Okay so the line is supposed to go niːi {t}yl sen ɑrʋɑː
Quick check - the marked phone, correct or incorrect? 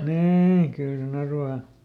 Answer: incorrect